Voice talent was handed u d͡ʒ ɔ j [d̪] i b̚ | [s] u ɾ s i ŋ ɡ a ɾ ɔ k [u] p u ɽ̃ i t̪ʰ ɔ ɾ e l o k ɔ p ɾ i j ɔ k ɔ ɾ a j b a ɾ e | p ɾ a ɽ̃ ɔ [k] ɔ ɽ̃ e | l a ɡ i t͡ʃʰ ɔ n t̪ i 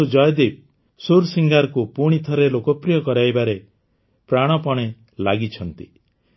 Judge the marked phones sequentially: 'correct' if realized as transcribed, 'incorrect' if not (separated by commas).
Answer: correct, correct, correct, incorrect